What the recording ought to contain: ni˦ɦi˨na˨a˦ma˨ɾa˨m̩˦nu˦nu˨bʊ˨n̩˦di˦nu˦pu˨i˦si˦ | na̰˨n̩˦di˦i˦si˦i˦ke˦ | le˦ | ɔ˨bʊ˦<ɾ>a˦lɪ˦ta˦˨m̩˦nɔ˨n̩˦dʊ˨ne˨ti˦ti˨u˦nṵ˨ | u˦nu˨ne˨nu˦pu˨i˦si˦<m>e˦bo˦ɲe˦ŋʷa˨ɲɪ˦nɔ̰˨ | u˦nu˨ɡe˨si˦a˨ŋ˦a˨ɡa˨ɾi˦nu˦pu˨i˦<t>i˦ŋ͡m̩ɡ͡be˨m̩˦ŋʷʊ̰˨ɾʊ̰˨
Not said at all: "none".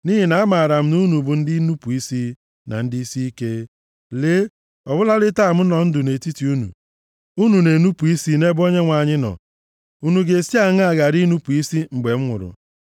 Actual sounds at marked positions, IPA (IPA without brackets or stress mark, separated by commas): l, n, s